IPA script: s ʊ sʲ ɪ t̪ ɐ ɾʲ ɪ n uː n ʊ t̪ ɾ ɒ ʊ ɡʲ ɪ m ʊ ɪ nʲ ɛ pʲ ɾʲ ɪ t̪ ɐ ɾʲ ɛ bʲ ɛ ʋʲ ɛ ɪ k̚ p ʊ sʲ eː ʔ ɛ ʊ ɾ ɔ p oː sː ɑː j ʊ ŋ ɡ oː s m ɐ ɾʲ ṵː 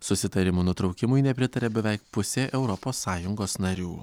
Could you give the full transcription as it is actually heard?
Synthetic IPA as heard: s ʊ sʲ ɪ t̪ ɐ ɾʲ ɪ m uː n ʊ t̪ ɾ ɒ ʊ kʲ ɪ m ʊ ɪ nʲ ɛ pʲ ɾʲ ɪ t̪ ɐ ɾʲ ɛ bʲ ɛ ʋʲ ɛ ɪ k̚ p ʊ sʲ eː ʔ ɛ ʊ ɾ ɔ p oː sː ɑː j ʊ ŋ ɡ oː s n ɐ ɾʲ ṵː